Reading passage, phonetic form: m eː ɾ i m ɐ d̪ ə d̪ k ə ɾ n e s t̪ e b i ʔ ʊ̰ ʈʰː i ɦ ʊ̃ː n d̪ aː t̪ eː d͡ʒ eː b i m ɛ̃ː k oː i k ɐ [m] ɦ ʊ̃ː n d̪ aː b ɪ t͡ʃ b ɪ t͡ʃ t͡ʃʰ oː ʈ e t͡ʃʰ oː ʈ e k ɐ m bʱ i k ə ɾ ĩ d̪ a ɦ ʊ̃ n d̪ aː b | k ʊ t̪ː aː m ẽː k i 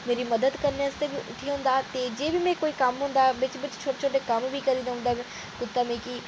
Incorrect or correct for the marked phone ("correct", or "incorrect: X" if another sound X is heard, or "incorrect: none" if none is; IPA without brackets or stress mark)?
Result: correct